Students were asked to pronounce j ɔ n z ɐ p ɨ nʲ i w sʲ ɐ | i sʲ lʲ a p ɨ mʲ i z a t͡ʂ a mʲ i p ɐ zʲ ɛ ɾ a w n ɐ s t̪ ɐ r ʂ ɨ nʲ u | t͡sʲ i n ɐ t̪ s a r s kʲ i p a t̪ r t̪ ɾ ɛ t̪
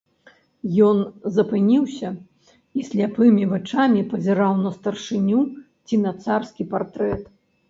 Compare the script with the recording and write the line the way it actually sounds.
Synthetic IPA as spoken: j ɔ n z ɐ p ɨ nʲ i w sʲ ɐ | i sʲ lʲ a p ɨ mʲ i v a t͡ʂ a mʲ i p ɐ zʲ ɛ ɾ a w n ɐ s t̪ ɐ r ʂ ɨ nʲ u | t͡sʲ i n ɐ t̪ s a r s kʲ i p a r t̪ ɾ ɛ t̪